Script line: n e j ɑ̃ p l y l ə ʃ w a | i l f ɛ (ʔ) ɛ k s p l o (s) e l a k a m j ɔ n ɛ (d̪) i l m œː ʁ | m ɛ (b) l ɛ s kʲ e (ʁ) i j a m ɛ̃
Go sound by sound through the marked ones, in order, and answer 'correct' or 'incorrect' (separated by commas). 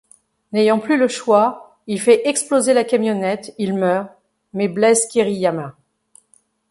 correct, incorrect, incorrect, correct, correct